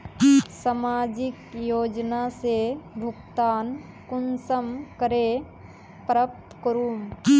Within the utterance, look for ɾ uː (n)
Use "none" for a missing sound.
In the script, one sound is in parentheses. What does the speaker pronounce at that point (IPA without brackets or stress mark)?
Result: m